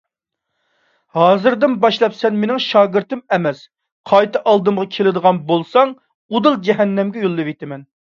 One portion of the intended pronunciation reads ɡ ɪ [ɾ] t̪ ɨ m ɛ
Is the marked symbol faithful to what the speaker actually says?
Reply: yes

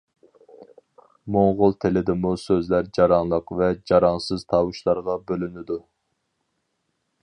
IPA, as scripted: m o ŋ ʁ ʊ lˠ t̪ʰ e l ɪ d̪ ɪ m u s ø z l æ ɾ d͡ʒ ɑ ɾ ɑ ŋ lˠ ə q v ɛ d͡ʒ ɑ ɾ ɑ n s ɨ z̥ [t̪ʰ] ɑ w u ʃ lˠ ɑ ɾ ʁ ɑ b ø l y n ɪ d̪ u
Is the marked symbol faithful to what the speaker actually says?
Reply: yes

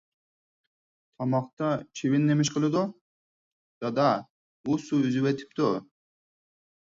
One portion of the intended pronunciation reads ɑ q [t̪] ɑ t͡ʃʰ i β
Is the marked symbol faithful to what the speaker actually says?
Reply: yes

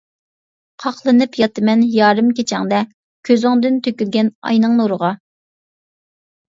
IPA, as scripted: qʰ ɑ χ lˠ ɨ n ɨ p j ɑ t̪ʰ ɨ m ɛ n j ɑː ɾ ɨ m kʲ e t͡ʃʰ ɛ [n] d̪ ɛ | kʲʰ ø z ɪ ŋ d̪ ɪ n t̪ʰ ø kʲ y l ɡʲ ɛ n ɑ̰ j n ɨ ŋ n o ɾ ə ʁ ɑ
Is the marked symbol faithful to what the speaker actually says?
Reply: no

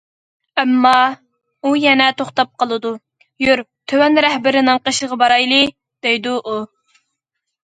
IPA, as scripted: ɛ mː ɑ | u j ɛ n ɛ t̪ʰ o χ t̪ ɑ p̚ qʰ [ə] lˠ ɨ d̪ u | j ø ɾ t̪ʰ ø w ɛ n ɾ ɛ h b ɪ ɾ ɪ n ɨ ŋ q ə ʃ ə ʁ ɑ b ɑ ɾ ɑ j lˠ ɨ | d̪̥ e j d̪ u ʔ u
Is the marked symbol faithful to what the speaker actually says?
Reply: yes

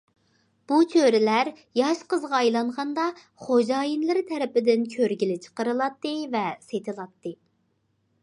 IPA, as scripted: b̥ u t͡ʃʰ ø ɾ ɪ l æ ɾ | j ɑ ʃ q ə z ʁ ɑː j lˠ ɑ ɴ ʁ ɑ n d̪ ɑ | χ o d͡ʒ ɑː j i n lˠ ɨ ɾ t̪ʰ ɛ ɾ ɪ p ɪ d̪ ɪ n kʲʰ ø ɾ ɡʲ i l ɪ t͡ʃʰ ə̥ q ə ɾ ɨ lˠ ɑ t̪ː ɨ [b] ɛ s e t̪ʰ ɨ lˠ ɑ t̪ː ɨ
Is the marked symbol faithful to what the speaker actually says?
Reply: no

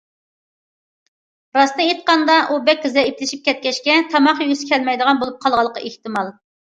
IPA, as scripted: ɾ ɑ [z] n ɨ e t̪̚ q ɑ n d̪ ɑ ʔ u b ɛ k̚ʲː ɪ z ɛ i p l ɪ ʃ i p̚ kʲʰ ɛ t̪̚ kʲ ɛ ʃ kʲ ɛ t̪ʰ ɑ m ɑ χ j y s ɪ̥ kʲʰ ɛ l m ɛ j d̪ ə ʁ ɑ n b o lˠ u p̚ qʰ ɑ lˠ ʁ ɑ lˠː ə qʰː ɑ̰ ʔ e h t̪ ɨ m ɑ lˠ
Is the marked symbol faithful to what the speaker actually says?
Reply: no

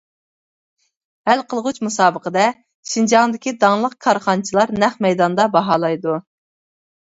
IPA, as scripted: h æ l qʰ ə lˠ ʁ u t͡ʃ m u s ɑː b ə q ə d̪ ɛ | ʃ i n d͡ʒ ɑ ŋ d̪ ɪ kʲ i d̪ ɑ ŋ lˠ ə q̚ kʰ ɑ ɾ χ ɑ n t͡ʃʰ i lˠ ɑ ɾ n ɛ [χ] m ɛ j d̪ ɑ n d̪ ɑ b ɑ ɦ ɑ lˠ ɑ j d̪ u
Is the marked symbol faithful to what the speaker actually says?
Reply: yes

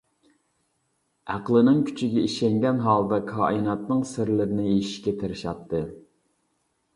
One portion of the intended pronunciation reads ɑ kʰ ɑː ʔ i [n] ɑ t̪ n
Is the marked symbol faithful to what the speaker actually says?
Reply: yes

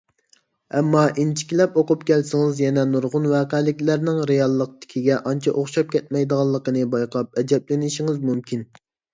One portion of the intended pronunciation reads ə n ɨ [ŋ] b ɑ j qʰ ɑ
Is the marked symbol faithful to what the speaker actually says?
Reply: no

